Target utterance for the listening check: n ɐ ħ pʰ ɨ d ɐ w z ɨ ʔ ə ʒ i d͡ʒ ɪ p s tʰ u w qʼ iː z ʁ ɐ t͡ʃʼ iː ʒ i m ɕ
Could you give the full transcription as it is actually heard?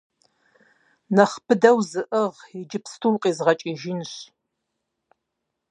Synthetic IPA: n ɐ χ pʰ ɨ d ɐ w z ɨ ʔ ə ʁ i d͡ʒ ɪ p s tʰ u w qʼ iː z ʁ ɐ t͡ʃʼ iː ʒ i n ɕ

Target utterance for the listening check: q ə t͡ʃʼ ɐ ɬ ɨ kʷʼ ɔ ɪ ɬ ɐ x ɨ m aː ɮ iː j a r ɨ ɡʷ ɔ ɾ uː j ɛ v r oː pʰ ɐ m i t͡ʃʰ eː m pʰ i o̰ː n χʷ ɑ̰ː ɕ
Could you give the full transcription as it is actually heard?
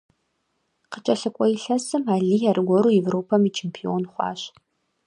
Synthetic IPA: q ə t͡ʃʼ ɐ ɬ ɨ kʷʼ ɔ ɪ ɬ ɐ s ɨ m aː ɮ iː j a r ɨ ɡʷ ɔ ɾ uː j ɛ v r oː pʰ ɐ m i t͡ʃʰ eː m pʰ i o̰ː n χʷ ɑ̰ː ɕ

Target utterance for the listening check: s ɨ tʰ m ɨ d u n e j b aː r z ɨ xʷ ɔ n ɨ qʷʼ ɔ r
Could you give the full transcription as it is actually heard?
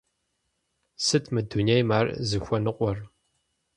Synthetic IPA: s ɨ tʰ m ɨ d u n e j m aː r z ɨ xʷ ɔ n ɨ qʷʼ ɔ r

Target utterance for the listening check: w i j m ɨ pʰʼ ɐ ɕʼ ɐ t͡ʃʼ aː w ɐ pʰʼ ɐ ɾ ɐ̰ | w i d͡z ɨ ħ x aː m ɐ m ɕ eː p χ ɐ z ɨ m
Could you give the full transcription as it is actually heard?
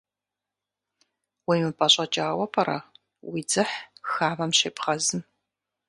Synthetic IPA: w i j m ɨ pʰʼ ɐ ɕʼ ɐ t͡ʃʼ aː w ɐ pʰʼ ɐ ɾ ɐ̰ | w i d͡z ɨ ħ x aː m ɐ m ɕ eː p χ ɐ z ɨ m

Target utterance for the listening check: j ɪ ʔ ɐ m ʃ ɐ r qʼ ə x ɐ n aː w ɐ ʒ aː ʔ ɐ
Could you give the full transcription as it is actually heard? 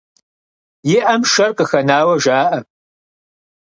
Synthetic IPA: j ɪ ʔ ɐ m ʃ ɐ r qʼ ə x ɐ n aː w ɐ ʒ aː ʔ ɐ

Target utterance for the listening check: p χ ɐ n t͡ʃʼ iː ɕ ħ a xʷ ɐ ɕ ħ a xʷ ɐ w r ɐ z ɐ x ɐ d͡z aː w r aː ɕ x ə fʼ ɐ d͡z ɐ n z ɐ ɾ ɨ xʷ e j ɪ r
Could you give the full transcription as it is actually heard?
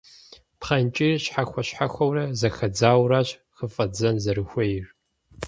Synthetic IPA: p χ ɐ n t͡ʃʼ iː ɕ ħ a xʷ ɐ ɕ ħ a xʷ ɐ w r ɐ z ɐ x ɐ d͡z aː w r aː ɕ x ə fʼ ɐ d͡z ɐ n z ɐ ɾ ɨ xʷ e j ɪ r

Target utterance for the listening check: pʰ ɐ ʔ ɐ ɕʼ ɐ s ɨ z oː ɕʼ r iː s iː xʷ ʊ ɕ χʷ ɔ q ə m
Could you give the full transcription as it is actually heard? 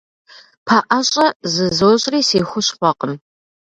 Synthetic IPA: pʰ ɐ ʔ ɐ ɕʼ ɐ z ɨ z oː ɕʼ r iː s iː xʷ ʊ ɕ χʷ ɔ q ə m

